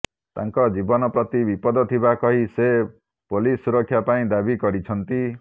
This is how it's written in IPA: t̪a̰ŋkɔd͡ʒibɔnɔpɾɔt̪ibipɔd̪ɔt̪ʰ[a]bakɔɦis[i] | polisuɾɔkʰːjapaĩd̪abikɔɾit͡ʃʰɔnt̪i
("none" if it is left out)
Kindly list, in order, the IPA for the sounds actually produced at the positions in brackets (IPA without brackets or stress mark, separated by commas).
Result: i, e